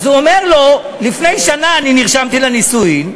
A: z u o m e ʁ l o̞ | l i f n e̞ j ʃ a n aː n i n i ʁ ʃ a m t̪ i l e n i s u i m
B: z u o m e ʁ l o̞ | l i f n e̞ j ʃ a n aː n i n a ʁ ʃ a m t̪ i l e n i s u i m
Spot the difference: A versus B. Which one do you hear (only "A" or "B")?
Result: A